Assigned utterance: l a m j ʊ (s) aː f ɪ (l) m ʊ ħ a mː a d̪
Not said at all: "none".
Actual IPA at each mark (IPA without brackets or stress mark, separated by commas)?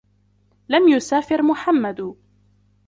s, ɾ